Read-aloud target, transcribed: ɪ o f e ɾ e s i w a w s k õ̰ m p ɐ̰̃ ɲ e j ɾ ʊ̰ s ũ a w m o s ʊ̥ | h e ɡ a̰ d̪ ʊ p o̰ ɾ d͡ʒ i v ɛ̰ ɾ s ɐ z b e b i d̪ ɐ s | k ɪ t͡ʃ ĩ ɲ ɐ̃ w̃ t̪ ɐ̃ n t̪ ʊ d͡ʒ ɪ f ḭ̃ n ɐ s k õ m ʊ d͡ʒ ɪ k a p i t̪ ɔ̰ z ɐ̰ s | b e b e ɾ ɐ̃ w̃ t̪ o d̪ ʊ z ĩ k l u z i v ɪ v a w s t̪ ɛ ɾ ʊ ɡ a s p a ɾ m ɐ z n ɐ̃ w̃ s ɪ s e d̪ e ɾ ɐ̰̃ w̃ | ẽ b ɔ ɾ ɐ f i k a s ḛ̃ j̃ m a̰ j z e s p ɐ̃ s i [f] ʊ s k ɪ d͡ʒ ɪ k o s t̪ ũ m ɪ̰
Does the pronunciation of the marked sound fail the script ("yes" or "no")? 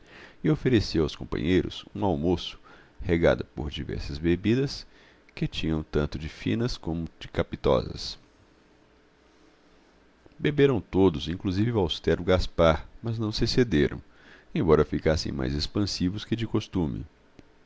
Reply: yes